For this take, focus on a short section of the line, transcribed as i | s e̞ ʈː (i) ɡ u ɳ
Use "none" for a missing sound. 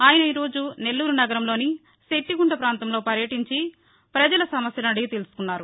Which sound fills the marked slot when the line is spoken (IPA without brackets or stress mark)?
i